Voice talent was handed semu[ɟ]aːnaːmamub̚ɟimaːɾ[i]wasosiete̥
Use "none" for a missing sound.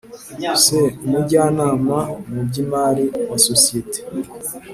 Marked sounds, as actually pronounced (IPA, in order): ɟ, i

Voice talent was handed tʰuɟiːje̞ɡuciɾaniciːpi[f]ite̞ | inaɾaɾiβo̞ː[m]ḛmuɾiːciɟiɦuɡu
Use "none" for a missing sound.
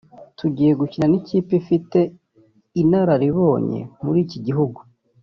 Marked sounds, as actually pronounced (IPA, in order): f, ɲ

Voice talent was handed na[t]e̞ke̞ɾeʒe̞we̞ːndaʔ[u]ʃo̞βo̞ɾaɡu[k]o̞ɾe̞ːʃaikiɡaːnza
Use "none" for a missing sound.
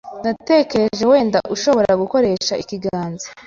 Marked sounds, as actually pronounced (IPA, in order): t, u, k

